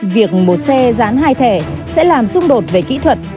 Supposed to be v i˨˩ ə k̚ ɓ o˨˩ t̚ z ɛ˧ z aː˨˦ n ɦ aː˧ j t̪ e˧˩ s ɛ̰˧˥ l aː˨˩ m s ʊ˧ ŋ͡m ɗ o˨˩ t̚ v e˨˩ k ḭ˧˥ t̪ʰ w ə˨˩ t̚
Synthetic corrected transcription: v i˨˩ ə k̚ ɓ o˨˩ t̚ s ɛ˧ z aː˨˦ n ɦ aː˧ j t̪ʰ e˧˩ s ɛ̰˧˥ l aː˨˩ m s ʊ˧ ŋ͡m ɗ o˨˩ t̚ v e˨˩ k ḭ˧˥ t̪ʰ w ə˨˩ t̚